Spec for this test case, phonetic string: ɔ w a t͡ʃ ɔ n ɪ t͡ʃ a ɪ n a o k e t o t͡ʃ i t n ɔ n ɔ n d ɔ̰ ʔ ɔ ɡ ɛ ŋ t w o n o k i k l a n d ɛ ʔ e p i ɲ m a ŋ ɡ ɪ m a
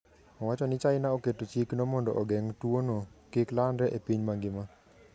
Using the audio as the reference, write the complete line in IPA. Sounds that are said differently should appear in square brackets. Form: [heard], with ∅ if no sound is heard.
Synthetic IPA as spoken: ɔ w a t͡ʃ ɔ n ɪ t͡ʃ a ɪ n a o k e t o t͡ʃ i [k] n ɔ [m] ɔ n d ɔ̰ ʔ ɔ ɡ ɛ ŋ t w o n o k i k l a n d ɛ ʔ e p i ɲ m a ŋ ɡ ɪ m a

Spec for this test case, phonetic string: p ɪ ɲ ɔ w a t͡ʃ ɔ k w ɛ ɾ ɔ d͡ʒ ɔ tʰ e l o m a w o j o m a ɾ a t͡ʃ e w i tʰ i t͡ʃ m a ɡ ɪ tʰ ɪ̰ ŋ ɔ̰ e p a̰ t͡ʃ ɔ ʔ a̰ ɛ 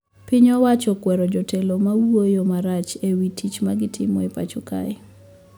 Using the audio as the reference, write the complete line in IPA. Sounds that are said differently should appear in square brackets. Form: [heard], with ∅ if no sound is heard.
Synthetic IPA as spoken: p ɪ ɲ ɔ w a t͡ʃ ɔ k w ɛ ɾ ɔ d͡ʒ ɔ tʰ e l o m a w o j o m a ɾ a t͡ʃ e w i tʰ i t͡ʃ m a ɡ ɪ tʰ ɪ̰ [m] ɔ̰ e p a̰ t͡ʃ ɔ [k] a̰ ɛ

